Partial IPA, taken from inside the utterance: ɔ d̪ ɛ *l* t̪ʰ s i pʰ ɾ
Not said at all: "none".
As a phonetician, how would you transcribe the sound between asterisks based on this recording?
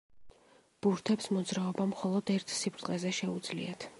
ɾ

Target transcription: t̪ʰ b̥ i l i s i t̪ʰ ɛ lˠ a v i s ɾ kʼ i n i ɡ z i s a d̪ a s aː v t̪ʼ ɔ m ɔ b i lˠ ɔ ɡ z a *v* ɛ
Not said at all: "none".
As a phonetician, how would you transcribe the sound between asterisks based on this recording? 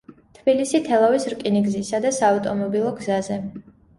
z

